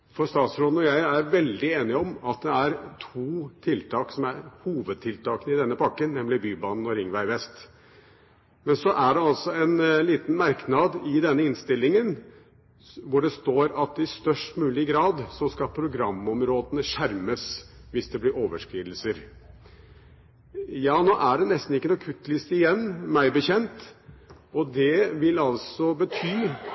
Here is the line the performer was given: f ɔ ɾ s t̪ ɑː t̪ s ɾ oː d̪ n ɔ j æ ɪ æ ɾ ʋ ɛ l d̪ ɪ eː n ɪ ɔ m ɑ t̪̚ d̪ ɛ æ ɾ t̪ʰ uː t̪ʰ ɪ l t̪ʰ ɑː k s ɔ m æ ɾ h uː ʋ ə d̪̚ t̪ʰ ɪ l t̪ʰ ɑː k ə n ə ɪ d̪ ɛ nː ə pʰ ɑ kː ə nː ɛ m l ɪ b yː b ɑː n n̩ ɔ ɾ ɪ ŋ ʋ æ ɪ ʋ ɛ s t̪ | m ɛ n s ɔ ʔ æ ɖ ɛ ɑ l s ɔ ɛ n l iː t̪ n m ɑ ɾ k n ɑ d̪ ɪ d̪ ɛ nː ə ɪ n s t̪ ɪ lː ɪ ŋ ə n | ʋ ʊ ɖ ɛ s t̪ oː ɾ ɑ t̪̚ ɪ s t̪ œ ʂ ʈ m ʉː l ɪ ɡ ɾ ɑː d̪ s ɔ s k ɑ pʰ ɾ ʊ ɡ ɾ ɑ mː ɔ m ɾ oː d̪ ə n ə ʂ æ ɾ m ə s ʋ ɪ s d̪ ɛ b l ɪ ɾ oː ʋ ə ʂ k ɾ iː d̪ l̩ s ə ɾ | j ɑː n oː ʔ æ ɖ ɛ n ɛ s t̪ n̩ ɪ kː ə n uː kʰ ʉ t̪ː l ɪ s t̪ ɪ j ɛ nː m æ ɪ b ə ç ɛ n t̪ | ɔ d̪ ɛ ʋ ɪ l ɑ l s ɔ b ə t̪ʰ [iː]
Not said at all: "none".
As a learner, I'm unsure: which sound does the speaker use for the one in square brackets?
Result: yː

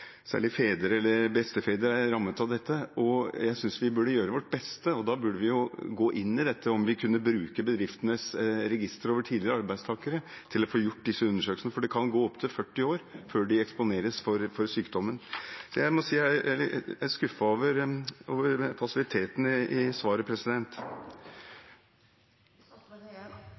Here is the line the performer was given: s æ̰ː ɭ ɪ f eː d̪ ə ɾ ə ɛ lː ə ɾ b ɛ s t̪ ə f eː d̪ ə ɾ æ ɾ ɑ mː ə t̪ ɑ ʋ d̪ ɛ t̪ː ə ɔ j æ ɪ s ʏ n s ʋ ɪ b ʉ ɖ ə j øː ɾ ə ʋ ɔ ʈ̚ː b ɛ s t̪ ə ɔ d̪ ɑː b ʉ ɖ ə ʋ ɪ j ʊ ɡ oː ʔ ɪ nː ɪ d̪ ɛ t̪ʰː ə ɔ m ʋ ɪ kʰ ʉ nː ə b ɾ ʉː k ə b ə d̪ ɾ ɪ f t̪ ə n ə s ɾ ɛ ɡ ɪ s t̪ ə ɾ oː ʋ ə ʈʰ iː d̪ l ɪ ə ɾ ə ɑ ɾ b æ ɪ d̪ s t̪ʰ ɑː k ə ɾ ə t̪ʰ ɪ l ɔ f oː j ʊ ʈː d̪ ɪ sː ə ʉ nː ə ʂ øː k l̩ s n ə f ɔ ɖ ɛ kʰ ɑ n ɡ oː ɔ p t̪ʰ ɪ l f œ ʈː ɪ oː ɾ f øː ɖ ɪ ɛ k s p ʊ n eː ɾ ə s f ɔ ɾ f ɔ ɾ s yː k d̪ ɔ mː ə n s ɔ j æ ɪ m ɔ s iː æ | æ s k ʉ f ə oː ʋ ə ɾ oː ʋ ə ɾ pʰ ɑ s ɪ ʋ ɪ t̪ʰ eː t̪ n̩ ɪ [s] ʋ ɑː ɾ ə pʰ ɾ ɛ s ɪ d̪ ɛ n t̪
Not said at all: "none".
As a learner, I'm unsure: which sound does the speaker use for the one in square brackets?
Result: s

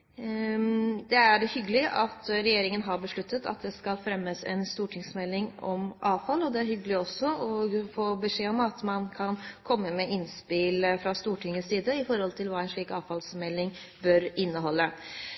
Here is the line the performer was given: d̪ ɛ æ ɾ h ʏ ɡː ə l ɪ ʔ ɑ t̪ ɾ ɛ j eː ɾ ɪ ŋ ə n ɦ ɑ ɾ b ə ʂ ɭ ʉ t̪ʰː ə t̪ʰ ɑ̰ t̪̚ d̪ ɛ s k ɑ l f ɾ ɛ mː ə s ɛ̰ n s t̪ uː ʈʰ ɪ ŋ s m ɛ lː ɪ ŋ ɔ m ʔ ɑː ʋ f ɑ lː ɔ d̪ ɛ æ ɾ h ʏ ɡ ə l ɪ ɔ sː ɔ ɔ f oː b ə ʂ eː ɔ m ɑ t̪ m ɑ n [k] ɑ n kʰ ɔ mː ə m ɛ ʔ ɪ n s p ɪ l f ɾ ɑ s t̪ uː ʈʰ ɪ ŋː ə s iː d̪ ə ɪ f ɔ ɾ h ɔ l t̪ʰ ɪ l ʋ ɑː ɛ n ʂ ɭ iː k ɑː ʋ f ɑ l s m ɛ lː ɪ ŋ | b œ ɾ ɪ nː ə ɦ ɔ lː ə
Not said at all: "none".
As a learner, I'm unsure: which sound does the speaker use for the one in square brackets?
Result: kʰ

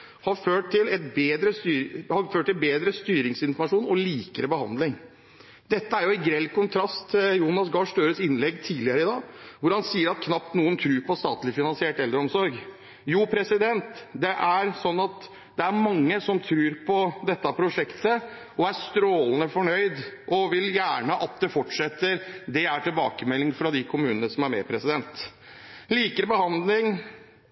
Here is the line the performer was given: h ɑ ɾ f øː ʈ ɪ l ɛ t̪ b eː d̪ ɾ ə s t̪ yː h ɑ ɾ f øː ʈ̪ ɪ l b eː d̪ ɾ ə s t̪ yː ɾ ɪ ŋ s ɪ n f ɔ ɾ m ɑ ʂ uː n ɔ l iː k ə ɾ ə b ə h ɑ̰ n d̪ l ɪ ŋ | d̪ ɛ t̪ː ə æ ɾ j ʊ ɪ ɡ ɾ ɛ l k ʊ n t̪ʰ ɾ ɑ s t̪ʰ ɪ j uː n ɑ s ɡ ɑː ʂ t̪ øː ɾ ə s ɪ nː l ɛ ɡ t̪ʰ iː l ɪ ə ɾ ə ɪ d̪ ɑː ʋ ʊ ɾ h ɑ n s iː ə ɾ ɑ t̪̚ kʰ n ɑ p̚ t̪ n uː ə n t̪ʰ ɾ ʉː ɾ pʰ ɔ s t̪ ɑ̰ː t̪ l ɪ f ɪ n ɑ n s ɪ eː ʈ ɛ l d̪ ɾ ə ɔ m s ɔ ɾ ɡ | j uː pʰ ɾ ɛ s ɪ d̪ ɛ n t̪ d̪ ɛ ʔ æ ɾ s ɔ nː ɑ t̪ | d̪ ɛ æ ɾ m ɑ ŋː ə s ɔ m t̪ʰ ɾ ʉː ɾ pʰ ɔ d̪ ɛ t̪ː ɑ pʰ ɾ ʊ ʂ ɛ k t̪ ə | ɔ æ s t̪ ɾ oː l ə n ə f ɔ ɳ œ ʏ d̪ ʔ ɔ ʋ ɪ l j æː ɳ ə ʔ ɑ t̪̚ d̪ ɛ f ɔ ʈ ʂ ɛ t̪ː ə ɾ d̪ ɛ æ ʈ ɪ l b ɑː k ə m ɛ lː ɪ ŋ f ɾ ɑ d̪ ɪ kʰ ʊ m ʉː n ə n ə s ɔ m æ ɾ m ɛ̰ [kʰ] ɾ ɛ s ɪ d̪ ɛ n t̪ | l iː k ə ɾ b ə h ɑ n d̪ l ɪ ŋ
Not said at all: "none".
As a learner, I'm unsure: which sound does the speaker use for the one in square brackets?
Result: pʰ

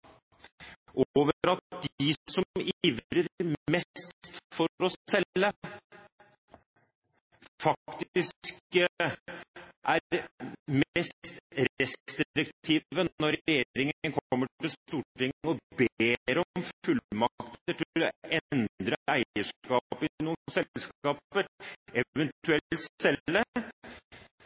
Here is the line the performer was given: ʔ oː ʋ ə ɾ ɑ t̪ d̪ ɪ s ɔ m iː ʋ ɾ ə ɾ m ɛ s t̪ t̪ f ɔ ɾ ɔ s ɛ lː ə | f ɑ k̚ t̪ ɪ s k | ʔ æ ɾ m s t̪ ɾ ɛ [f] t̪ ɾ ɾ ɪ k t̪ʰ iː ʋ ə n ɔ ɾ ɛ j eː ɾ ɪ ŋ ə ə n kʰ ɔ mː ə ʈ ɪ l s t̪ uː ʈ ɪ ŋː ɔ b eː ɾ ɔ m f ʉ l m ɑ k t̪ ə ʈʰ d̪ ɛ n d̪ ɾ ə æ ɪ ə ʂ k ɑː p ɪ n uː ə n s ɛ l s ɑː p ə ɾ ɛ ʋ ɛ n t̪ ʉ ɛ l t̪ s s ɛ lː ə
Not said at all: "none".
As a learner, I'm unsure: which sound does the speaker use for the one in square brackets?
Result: s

